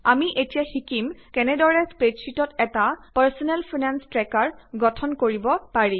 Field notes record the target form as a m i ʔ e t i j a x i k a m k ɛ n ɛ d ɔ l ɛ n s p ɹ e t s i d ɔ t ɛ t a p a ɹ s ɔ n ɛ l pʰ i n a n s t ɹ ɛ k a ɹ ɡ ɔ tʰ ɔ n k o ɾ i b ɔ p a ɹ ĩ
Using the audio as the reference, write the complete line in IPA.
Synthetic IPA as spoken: a m i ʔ e t i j a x i k i m k ɛ n ɛ d ɔ ɹ ɛ s p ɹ e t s i t ɔ t ɛ t a p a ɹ s ɔ n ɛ l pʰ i n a n s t ɹ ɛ k a ɹ ɡ ɔ tʰ ɔ n k o ɹ i b ɔ p a ɹ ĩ

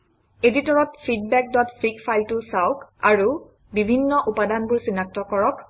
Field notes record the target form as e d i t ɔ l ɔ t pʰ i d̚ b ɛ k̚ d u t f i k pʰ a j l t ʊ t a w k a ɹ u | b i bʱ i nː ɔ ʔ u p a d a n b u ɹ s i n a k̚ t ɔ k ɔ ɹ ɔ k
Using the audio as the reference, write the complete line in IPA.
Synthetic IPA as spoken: e d i t ɔ ɹ ɔ t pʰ i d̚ b ɛ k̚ d ɔ t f i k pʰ a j l t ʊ s a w k a ɹ u | b i bʱ i nː ɔ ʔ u p a d a n b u ɹ s i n a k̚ t ɔ k ɔ ɹ ɔ k

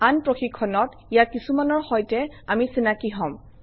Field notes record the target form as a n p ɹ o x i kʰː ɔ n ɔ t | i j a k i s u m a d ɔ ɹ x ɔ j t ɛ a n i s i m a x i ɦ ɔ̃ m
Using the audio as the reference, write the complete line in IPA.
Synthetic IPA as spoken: a n p ɹ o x i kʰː ɔ n ɔ t | i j a k i s u m a n ɔ ɹ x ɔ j t ɛ a m i s i n a k i ɦ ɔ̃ m

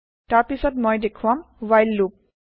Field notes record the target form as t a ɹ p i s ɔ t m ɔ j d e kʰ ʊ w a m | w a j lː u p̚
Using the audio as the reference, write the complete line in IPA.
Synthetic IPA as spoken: t a ɹ p i s ɔ t m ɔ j d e kʰ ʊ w a m | w a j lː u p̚

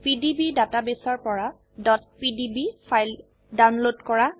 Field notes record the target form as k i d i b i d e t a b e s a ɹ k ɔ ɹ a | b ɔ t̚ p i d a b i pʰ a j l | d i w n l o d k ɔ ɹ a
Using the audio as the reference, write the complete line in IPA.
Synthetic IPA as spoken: p i d i b i d a t a b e s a ɹ p ɔ ɹ a | d ɔ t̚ p i d i b i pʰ a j l | d a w n l o d k ɔ ɹ a

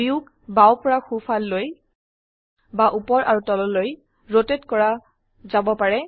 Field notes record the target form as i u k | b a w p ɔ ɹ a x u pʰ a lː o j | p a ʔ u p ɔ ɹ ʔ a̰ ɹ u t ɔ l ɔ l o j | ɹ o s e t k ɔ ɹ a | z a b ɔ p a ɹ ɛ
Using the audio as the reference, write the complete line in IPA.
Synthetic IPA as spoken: i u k | b a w p ɔ ɹ a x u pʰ a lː o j | b a ʔ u p ɔ ɹ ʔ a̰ ɹ u t ɔ l ɔ l o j | ɹ o t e t k ɔ ɹ a | z a b ɔ p a ɹ ɛ

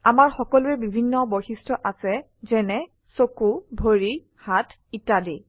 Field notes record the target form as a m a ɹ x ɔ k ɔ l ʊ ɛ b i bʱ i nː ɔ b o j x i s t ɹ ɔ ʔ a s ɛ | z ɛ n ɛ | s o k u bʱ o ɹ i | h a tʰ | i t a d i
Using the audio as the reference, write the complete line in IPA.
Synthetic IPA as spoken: a m a ɹ x ɔ k ɔ l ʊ ɛ b i bʱ i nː ɔ b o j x i s t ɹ ɔ ʔ a s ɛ | z ɛ n ɛ | s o k u bʱ o ɹ i | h a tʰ | i t a d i

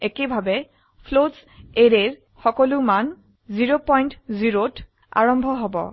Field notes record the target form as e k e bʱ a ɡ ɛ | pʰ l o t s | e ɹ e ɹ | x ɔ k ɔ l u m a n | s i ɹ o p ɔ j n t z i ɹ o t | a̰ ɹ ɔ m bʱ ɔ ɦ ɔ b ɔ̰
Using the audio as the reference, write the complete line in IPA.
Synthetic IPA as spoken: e k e bʱ a b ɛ | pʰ l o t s | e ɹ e ɹ | x ɔ k ɔ l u m a n | z i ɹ o p ɔ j n t z i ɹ o t | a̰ ɹ ɔ m bʱ ɔ ɦ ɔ b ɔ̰

